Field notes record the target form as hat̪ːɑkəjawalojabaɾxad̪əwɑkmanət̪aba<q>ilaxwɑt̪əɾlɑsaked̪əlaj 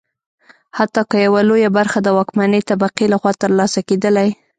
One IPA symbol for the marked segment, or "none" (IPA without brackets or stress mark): q